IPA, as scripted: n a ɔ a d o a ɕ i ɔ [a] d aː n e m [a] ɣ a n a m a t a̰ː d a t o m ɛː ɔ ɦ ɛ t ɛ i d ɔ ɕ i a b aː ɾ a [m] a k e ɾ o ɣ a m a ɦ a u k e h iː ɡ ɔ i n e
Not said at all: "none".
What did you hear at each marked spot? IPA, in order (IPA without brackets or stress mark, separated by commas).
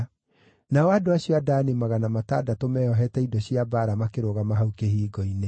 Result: a, a, m